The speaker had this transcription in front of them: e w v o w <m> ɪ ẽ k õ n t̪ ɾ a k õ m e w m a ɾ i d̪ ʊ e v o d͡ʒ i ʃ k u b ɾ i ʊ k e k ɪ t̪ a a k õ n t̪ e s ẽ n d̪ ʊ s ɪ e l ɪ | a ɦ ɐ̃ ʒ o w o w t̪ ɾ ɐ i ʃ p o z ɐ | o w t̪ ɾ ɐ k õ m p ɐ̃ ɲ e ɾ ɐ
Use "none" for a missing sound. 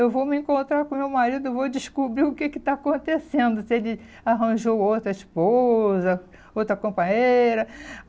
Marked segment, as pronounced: m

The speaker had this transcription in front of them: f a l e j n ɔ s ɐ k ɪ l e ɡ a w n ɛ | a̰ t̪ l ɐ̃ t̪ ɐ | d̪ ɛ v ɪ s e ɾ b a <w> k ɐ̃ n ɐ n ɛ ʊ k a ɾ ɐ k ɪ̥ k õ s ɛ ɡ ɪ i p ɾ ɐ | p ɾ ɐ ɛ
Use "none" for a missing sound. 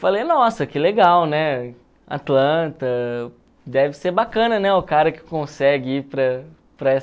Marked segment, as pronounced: none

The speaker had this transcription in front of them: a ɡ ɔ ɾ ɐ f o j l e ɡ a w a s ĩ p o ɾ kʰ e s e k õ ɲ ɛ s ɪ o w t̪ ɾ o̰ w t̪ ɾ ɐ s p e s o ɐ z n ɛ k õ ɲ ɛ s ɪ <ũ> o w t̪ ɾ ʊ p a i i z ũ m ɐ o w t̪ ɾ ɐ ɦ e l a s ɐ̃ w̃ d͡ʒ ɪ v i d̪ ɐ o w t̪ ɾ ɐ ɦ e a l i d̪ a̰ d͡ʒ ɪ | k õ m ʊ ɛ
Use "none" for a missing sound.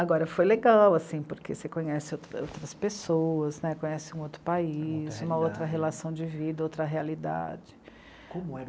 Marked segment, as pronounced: ũ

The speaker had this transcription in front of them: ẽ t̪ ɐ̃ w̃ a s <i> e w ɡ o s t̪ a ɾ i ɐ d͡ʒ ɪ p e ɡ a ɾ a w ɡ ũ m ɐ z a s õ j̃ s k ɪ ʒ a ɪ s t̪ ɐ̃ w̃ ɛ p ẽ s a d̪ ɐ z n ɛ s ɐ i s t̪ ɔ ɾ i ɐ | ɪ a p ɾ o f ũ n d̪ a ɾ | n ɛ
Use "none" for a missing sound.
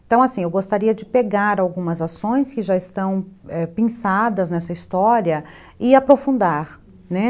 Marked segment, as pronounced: ĩ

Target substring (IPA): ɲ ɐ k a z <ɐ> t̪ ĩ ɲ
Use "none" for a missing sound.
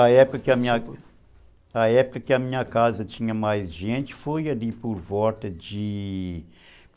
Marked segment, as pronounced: ɐ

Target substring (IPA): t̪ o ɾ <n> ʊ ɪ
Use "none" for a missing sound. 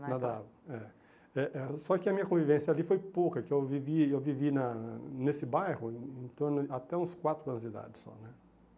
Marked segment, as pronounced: n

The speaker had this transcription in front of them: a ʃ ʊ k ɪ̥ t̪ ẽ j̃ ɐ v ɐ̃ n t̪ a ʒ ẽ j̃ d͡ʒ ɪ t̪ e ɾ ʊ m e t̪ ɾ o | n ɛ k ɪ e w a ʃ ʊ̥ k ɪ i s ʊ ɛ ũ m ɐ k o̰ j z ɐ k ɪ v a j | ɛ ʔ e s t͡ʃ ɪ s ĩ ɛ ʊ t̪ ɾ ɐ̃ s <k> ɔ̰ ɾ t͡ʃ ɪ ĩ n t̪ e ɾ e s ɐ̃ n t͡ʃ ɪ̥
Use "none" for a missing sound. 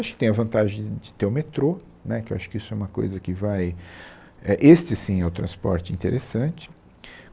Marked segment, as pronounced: p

